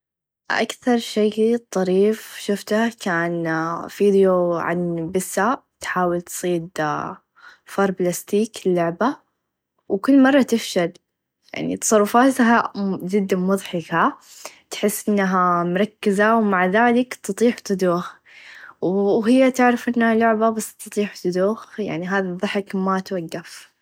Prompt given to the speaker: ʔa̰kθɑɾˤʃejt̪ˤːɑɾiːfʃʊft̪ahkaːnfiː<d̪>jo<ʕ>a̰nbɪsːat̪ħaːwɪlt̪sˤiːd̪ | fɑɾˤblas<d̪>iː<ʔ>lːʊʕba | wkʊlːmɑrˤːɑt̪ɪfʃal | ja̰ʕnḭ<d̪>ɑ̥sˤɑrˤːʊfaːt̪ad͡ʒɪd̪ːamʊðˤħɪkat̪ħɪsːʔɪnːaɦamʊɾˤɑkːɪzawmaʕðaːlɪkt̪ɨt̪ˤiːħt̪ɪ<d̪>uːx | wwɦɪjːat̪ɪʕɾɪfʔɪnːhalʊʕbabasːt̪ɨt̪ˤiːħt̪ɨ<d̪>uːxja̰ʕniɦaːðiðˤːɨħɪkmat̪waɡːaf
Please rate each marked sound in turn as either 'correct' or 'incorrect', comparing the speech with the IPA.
correct, correct, incorrect: t̪, incorrect: k, incorrect: t̪, correct, correct

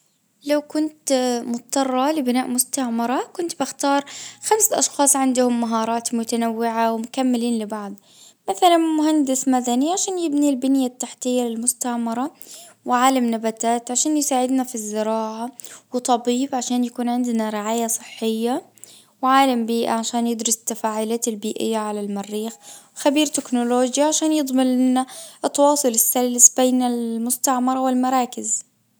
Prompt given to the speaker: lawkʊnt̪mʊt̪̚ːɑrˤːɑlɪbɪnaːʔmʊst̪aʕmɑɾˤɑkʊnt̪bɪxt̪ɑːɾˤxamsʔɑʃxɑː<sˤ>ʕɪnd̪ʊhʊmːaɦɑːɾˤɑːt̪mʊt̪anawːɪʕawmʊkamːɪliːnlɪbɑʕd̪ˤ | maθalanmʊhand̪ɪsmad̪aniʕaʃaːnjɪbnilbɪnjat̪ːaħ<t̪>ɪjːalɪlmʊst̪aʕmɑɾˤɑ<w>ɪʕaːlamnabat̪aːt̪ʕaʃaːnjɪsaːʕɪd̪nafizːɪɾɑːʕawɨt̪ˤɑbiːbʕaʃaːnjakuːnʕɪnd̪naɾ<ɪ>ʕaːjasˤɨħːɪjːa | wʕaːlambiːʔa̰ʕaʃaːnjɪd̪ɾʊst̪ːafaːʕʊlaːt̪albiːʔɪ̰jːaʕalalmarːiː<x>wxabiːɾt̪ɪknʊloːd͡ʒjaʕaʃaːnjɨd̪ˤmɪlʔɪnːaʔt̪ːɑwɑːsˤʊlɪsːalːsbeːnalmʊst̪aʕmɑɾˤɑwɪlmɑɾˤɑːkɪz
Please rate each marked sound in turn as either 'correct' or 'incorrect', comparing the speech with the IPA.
correct, correct, correct, correct, correct

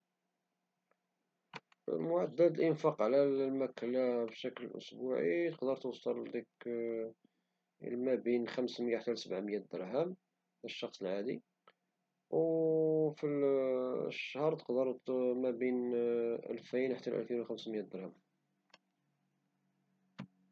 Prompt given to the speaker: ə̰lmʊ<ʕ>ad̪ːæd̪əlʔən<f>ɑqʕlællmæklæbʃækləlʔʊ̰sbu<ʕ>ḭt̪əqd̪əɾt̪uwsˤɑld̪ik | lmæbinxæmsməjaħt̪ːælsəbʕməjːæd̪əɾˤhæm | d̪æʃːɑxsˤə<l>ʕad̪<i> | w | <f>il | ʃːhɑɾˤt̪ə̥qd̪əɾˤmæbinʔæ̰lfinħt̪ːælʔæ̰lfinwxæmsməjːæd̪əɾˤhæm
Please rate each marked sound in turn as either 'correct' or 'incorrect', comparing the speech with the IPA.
correct, correct, correct, correct, correct, correct

